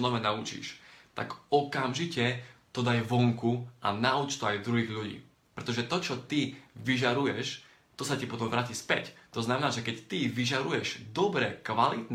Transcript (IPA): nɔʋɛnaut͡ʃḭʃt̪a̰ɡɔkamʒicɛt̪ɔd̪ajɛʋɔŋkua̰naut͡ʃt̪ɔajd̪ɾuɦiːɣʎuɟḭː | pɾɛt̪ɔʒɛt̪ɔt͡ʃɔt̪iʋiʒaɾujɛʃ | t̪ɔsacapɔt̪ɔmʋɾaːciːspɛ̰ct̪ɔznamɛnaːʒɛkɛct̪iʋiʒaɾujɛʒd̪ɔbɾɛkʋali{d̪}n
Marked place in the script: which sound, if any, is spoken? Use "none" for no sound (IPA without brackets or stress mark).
t̪